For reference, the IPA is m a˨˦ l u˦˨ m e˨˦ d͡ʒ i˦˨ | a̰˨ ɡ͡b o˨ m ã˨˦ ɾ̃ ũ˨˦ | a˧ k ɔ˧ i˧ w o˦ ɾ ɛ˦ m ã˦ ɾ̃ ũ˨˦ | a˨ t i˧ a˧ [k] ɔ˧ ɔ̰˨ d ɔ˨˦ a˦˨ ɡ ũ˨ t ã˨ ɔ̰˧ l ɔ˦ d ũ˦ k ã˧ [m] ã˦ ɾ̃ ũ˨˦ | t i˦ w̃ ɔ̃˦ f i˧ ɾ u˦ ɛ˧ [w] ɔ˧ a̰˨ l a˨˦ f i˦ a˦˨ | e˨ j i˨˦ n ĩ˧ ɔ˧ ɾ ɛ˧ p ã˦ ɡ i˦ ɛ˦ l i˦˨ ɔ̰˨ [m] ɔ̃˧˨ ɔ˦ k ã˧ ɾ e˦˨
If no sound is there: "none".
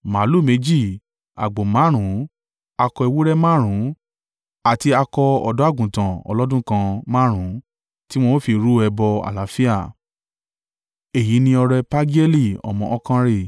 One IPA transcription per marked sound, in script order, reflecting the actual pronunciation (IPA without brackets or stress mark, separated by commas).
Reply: k, m, b, m